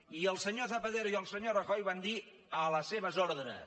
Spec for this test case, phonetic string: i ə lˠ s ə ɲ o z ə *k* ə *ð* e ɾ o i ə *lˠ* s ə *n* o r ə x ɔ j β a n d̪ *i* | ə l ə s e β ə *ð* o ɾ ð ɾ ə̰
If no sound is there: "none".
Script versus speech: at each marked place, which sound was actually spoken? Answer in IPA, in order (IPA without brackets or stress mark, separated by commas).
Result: p, ð, lˠ, ɲ, i, z